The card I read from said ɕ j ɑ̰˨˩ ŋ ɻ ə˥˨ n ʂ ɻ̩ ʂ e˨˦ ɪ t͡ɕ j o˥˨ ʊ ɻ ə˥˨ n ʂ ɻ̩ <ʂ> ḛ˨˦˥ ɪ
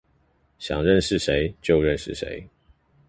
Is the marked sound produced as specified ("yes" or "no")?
yes